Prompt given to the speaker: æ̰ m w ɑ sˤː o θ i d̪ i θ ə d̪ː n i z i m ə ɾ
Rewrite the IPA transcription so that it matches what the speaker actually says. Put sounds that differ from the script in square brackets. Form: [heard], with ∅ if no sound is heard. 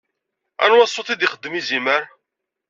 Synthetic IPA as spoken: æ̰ [n] w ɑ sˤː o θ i d̪ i [χ] ə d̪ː [m] i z i m ə ɾ